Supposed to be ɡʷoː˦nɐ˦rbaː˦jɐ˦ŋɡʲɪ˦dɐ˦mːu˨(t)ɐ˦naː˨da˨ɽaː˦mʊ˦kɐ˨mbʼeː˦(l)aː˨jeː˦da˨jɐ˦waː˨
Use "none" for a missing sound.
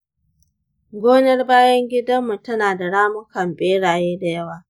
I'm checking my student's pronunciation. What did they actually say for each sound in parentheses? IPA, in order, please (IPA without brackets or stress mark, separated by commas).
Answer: t, ɽ